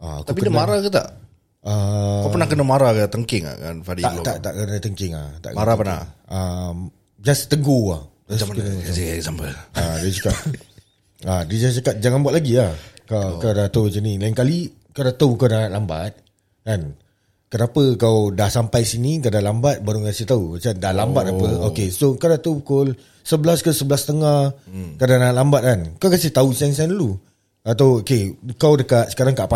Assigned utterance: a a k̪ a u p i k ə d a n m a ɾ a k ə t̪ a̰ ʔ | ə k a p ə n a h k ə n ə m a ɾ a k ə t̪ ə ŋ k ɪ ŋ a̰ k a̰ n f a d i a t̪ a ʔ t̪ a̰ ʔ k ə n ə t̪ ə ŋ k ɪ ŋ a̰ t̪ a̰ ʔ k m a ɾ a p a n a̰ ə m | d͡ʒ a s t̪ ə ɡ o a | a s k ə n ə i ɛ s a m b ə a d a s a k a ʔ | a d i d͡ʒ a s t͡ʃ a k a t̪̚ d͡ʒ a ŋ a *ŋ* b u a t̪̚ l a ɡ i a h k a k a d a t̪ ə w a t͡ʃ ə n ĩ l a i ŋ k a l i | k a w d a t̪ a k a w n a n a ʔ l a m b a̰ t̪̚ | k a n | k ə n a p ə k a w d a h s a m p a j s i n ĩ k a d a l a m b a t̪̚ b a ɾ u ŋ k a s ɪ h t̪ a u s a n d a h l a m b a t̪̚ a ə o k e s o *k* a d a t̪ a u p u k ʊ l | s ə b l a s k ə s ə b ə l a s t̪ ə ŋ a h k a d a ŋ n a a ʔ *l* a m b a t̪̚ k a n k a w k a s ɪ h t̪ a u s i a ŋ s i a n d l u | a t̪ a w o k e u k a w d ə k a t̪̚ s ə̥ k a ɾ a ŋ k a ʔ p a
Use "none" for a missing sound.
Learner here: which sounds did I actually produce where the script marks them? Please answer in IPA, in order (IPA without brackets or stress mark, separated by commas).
n, k, l